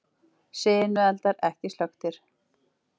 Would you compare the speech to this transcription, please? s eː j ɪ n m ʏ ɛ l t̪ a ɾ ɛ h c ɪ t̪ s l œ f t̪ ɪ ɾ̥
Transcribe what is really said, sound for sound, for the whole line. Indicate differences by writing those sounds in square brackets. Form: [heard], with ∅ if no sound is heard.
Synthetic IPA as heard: s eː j ɪ n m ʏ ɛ l t̪ a ɾ ɛ h c ɪ [∅] s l œ [x] t̪ ɪ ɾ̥